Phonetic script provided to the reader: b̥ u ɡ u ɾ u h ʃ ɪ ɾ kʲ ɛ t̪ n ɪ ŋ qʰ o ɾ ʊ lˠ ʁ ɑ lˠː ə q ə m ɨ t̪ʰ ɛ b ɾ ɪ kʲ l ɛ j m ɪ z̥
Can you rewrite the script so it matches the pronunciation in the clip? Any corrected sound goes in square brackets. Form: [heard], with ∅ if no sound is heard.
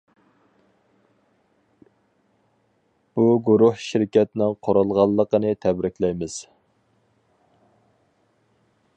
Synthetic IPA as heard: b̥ u ɡ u ɾ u h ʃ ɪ ɾ kʲ ɛ t̪ n ɪ ŋ qʰ o ɾ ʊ lˠ ʁ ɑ lˠː ə q ə [n] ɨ t̪ʰ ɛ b ɾ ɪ kʲ l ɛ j m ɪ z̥